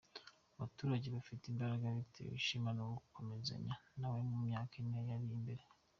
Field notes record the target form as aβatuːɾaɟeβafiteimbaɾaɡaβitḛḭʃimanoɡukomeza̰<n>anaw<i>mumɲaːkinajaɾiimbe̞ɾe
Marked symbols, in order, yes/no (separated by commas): no, no